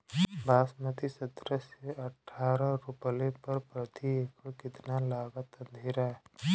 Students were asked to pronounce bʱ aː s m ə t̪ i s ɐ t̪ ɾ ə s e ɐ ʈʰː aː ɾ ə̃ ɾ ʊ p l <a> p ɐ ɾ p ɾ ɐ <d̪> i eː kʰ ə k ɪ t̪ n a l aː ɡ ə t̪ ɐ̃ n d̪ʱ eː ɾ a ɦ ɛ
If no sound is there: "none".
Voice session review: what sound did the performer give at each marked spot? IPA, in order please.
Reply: e, t̪

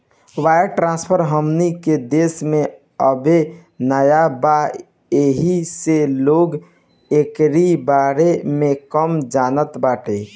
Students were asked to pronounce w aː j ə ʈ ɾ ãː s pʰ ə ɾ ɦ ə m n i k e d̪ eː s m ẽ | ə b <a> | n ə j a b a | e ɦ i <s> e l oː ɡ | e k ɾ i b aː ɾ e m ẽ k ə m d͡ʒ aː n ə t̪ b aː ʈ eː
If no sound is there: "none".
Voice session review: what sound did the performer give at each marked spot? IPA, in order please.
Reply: e, s

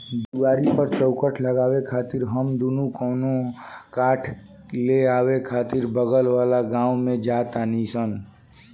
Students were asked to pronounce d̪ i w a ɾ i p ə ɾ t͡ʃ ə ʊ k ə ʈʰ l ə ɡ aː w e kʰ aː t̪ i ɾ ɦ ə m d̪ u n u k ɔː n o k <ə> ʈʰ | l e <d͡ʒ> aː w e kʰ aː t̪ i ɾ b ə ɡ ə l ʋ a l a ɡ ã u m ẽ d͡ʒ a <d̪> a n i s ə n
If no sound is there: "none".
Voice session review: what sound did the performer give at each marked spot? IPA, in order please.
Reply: a, none, t̪

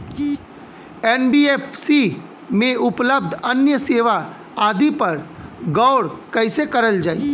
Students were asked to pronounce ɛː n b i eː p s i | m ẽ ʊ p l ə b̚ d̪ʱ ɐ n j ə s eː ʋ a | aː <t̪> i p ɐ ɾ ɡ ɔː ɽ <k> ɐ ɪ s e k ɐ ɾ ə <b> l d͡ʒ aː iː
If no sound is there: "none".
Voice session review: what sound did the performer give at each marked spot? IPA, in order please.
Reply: d̪, k, none

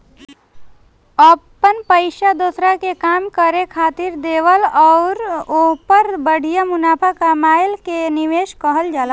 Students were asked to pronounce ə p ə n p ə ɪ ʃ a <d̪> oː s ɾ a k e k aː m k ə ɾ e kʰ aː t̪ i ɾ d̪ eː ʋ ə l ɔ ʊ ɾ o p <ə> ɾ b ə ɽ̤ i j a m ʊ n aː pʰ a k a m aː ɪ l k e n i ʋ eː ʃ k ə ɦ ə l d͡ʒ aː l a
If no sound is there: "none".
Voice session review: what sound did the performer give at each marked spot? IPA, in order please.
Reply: d̪, ə

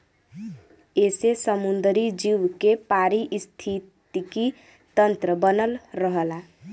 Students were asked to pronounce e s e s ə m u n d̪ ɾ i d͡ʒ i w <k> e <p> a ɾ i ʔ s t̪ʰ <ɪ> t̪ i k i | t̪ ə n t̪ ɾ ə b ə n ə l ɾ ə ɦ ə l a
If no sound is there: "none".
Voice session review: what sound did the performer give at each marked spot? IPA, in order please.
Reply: k, p, i

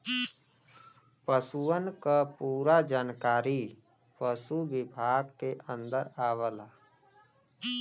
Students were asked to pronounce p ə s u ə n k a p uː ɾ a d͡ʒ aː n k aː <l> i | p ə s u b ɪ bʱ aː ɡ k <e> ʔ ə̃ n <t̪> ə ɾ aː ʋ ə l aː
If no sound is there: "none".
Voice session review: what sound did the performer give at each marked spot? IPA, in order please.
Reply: ɾ, e, d̪

